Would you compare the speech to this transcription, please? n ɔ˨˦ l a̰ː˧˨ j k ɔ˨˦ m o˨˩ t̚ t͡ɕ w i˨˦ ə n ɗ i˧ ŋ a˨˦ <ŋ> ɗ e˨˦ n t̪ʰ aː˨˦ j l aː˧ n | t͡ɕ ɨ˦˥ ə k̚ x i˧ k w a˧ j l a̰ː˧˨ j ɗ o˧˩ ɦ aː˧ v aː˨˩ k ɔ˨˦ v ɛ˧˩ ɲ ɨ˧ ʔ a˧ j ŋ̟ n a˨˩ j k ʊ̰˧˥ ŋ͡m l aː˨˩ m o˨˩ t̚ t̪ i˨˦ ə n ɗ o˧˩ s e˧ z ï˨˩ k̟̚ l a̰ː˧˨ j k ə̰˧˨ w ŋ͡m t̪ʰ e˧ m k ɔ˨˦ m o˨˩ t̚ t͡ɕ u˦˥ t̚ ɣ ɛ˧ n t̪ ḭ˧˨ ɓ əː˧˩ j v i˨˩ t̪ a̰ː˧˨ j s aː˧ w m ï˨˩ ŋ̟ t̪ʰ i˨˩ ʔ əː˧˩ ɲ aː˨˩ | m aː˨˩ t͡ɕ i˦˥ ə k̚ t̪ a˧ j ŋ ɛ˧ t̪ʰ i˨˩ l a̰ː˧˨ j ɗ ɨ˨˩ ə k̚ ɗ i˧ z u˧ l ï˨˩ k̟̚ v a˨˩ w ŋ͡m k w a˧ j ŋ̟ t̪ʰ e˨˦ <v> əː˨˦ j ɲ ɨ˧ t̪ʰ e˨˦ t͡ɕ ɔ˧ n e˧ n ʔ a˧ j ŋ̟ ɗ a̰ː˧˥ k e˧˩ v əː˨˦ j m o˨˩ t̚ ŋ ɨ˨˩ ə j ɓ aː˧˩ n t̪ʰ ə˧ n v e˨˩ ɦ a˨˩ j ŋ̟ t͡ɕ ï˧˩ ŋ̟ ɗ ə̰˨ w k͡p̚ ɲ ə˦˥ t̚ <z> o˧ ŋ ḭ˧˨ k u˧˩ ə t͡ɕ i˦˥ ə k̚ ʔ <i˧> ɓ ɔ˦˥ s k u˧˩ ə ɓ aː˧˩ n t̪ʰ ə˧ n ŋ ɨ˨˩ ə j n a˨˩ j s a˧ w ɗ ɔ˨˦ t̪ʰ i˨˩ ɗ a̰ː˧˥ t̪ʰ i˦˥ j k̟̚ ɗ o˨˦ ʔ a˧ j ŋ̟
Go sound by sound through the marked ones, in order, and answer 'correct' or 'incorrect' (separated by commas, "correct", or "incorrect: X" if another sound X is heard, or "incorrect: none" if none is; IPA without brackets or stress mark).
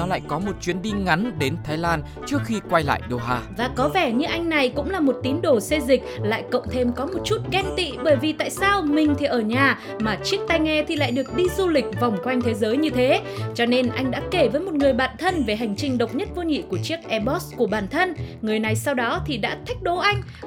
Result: incorrect: n, incorrect: z, incorrect: v, incorrect: ɛ˧